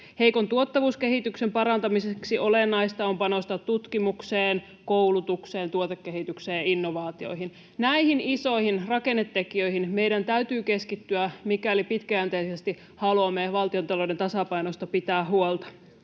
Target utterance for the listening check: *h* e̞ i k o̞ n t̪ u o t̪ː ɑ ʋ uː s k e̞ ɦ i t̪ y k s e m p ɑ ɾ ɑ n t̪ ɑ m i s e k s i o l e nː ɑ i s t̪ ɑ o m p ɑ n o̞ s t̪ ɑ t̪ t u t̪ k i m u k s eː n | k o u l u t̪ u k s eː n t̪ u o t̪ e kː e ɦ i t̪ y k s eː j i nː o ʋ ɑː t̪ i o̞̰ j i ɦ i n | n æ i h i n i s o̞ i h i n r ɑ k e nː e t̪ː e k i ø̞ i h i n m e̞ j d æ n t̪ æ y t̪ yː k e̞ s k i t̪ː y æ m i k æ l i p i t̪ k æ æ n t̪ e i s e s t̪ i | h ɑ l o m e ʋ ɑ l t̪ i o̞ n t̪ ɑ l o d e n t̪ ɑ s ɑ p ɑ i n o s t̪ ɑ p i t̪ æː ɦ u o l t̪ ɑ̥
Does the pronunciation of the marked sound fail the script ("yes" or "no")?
no